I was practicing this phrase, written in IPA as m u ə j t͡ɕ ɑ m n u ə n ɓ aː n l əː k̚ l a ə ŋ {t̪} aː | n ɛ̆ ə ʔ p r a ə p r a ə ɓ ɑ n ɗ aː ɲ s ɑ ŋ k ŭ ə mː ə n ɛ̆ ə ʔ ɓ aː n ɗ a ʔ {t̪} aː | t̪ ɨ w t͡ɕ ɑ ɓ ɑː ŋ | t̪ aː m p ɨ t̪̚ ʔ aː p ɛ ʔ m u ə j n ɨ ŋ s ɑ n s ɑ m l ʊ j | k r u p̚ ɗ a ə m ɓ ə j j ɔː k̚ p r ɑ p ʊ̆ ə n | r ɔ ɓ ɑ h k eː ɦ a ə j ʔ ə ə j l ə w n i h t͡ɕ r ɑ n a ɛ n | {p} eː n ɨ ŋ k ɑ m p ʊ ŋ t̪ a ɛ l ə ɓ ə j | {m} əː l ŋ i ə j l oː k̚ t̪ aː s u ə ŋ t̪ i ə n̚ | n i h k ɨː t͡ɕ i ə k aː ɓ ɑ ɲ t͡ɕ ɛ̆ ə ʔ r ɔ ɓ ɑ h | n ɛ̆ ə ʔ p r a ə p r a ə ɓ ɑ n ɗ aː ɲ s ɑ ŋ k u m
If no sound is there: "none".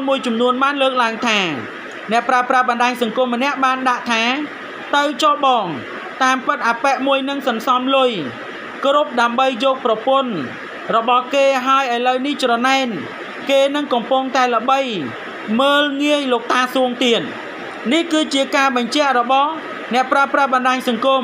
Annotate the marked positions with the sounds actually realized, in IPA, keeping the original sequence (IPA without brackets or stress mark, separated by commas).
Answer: t̪ʰ, t̪ʰ, k, m